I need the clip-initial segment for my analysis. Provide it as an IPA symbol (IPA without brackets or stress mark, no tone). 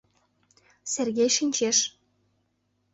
s